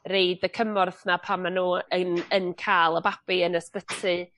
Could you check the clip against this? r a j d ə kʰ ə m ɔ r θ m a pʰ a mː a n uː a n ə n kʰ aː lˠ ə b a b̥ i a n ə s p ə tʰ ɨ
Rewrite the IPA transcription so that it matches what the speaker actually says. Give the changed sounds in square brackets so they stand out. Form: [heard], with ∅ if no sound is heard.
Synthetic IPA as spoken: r [e] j d ə kʰ ə m ɔ r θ [n] a pʰ a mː a n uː [ə] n ə n kʰ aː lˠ ə b a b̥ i [ə] n ə s p ə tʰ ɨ